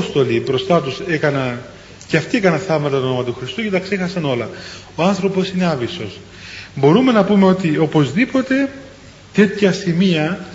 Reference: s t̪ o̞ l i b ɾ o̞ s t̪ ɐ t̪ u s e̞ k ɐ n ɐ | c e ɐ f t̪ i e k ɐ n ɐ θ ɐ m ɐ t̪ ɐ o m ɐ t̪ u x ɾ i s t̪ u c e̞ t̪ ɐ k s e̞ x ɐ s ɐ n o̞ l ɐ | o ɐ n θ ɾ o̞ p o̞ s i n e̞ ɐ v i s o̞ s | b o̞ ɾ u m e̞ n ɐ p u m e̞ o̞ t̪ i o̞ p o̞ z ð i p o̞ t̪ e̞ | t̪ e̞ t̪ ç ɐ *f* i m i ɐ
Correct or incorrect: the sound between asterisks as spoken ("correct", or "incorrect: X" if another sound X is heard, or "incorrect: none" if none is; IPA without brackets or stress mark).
incorrect: s